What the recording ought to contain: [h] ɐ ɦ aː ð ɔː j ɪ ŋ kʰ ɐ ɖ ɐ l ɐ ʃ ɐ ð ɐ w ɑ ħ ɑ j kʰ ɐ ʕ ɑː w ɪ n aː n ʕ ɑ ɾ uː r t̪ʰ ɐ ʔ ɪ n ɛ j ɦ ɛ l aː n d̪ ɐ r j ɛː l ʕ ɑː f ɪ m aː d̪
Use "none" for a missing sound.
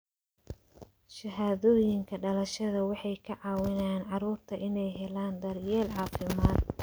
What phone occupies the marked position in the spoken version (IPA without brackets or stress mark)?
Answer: ʃ